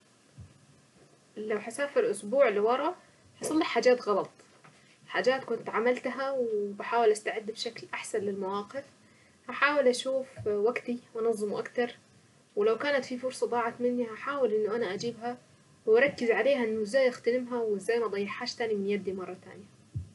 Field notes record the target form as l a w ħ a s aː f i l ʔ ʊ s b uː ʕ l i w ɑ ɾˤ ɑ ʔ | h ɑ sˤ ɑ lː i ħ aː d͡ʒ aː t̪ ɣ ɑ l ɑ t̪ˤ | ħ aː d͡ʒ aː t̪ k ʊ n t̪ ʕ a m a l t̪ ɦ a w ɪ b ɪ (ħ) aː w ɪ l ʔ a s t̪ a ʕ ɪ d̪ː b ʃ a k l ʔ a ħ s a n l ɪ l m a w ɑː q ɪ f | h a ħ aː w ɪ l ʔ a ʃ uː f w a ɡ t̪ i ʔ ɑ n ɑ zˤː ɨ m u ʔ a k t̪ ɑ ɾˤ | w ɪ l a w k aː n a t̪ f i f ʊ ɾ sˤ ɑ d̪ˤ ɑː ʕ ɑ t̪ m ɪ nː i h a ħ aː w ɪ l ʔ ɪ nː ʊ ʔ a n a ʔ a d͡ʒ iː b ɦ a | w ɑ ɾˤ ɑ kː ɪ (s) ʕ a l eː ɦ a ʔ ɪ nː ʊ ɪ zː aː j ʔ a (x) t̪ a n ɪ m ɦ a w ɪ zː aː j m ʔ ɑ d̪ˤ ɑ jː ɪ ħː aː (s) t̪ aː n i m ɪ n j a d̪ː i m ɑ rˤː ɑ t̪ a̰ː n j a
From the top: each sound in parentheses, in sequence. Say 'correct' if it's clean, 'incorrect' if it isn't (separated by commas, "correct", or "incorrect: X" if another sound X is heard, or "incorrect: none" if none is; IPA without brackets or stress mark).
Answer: correct, incorrect: z, correct, incorrect: ʃ